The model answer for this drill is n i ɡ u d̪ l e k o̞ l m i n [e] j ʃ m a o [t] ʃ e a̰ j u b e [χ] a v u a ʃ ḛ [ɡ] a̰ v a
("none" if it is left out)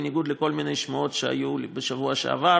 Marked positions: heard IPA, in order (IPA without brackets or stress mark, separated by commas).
e, t, ʃ, none